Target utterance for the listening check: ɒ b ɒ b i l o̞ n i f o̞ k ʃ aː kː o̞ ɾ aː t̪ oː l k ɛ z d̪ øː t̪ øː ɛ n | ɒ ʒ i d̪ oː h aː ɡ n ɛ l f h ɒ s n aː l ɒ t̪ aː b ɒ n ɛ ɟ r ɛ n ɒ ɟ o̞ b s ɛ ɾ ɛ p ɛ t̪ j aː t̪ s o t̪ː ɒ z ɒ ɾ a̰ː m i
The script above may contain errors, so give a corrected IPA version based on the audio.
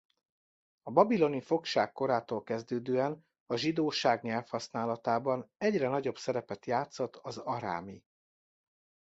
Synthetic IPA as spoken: ɒ b ɒ b i l o̞ n i f o̞ k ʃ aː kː o̞ ɾ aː t̪ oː l k ɛ z d̪ øː d̪ øː ɛ n | ɒ ʒ i d̪ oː ʃ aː ɡ ɲ ɛ l f h ɒ s n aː l ɒ t̪ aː b ɒ n ɛ ɟ r ɛ n ɒ ɟ o̞ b s ɛ ɾ ɛ p ɛ t̪ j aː t̪ s o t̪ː ɒ z ɒ ɾ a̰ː m i